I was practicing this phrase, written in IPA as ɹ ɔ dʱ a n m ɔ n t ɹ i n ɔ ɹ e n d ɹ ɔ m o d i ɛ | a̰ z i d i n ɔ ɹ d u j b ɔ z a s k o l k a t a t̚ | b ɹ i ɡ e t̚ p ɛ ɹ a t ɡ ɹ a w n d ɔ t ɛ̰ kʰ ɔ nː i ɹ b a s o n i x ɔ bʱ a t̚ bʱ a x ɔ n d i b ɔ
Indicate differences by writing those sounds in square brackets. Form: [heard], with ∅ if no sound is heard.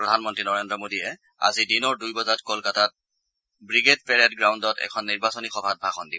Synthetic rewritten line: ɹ ɔ dʱ a n m ɔ n t ɹ i n ɔ ɹ e n d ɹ ɔ m o d i ɛ | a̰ z i d i n ɔ ɹ d u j b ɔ z a [t] k o l k a t a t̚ | b ɹ i ɡ e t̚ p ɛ ɹ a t ɡ ɹ a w n d ɔ t ɛ̰ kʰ ɔ nː i ɹ b a s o n i x ɔ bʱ a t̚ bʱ a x ɔ n d i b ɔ